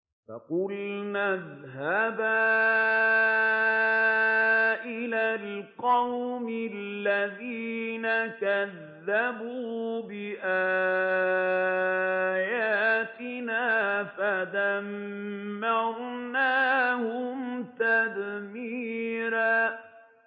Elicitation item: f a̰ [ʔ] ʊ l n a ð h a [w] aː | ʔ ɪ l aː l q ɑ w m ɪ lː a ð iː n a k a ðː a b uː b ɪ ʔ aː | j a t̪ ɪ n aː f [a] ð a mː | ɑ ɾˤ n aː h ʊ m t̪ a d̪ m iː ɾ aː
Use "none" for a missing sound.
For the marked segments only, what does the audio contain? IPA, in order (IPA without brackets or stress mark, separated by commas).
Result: q, b, a